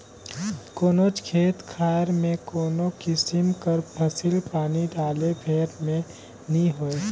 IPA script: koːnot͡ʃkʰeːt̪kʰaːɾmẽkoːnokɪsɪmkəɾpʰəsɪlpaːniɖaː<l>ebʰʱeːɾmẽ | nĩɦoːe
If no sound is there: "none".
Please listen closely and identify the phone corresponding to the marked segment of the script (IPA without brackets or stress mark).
l